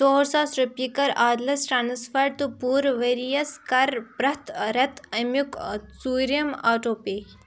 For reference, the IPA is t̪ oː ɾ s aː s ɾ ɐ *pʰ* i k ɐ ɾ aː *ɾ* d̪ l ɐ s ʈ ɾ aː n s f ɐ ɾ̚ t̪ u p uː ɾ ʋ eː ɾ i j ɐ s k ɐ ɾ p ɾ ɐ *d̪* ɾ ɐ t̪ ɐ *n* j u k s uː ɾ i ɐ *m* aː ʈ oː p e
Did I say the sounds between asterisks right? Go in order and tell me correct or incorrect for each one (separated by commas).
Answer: incorrect, incorrect, incorrect, incorrect, correct